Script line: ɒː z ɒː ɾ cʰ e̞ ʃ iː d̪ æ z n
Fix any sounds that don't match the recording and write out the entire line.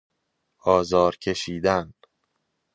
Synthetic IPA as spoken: ɒː z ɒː ɾ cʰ e̞ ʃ iː d̪ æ n